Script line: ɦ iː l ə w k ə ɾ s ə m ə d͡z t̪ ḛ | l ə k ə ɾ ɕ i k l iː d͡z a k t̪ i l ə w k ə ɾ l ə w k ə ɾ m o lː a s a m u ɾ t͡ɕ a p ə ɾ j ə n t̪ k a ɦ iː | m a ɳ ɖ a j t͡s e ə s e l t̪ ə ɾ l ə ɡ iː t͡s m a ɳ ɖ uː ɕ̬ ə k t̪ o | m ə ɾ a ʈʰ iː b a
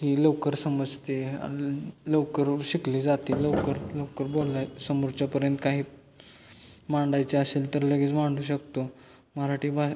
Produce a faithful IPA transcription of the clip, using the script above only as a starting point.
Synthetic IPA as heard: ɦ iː l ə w k ə ɾ s ə m ə d͡z t̪ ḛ | l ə k ə ɾ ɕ i k l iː d͡z a t̪ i l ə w k ə ɾ l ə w k ə ɾ b o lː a s ə m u ɾ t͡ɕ a p ə ɾ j ə n t̪ k a ɦ iː | m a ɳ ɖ a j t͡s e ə s e l t̪ ə ɾ l ə ɡ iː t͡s m a ɳ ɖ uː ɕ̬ ə k t̪ o | m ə ɾ a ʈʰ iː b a